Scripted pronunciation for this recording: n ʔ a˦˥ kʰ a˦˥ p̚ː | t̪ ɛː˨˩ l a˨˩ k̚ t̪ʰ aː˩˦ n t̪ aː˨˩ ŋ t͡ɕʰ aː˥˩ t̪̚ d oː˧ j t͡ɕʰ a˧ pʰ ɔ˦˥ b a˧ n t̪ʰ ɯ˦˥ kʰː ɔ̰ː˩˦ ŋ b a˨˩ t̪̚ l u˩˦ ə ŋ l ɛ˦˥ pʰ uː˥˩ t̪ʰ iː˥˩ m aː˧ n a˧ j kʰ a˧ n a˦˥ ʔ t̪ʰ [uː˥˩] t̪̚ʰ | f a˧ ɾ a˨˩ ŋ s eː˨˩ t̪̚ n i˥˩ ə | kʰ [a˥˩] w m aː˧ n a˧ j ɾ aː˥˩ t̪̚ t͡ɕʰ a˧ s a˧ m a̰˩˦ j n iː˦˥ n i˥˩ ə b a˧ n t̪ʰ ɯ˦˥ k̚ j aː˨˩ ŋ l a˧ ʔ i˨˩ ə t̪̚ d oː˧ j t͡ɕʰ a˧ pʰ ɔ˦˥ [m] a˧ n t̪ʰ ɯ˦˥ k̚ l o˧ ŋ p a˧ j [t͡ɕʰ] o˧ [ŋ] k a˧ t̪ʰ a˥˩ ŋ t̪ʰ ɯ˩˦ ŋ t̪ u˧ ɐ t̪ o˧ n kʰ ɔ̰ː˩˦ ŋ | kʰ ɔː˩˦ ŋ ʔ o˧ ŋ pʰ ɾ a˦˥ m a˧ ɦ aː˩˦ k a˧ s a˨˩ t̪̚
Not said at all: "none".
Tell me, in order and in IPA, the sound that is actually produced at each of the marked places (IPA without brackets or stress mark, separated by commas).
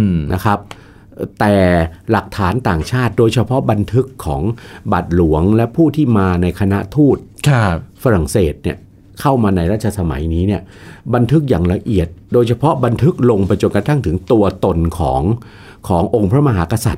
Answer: uː˥˩, a˥˩, b, t͡ɕ, n